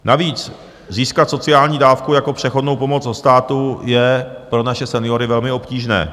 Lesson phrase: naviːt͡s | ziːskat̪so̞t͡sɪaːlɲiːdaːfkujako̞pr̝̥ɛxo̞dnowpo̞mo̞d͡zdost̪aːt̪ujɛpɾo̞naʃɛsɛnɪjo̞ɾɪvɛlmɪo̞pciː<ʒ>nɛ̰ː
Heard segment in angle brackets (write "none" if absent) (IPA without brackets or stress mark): ʒ